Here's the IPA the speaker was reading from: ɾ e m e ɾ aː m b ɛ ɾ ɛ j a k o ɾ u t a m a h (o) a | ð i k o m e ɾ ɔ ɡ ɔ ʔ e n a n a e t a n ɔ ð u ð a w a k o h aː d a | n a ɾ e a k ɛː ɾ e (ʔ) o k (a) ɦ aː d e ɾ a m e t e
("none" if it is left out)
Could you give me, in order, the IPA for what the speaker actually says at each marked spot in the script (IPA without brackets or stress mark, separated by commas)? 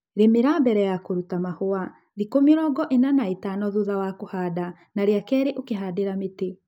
o, ʔ, e